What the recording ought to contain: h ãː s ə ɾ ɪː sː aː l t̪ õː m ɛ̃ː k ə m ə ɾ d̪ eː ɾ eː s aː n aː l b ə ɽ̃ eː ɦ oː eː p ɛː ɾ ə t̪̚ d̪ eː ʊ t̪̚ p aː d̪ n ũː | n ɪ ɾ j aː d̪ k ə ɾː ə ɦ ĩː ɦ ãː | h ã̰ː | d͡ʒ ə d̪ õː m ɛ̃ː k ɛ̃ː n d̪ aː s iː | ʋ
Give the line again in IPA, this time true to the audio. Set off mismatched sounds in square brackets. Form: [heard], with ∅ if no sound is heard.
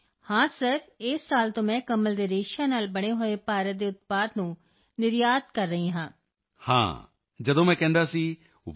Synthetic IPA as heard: h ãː s ə ɾ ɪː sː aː l t̪ õː m ɛ̃ː k ə m ə [l] d̪ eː ɾ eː [ʃ] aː n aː l b ə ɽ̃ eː ɦ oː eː p [aː] ɾ ə t̪̚ d̪ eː ʊ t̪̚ p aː d̪ n ũː | n ɪ ɾ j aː d̪ k ə ɾː ə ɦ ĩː ɦ ãː | h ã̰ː | d͡ʒ ə d̪ õː m ɛ̃ː k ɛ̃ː n d̪ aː s iː | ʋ